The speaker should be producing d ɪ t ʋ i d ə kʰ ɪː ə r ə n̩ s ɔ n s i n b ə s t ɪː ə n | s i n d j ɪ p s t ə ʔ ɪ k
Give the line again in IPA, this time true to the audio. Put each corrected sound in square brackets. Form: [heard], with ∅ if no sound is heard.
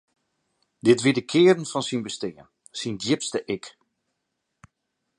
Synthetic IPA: d ɪ t ʋ i d ə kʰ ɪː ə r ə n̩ [f] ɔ n s i n b ə s t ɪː ə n | s i n d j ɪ p s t ə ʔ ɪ k